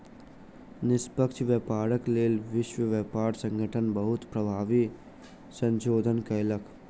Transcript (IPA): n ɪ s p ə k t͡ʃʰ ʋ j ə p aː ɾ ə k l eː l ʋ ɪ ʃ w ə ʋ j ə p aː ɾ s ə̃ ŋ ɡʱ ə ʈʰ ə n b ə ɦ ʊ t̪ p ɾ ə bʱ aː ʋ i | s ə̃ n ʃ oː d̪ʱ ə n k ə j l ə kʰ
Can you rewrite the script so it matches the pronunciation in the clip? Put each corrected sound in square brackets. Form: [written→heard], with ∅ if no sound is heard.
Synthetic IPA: n ɪ s p ə k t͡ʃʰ ʋ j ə p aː ɾ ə k l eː l ʋ ɪ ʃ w ə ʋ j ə p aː ɾ s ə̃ ŋ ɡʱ ə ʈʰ ə n b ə ɦ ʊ t̪ p ɾ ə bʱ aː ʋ i | s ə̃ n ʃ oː d̪ʱ ə n k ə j l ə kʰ